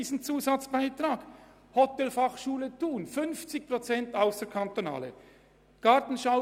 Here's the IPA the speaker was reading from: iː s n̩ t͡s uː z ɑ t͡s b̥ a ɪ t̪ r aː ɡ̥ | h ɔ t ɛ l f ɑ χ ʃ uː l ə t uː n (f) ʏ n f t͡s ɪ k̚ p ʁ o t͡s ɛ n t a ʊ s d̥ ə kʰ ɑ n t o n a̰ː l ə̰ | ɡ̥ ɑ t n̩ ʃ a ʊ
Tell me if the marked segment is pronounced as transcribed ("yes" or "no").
yes